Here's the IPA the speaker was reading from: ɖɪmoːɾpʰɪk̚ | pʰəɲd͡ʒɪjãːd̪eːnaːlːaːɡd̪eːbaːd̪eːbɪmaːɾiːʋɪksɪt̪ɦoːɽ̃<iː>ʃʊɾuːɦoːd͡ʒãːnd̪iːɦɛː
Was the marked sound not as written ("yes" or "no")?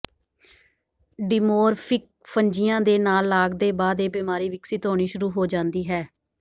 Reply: no